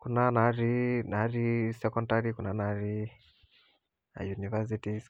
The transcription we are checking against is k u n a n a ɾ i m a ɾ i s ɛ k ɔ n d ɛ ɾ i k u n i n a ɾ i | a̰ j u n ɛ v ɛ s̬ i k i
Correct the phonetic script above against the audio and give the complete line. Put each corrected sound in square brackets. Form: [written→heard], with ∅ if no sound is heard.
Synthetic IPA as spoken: k u n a n a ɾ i [m→n] a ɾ i s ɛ k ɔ n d [ɛ→a] ɾ i k u n [i→a] n a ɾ i | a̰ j u n [ɛ→i] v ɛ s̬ i [k→t] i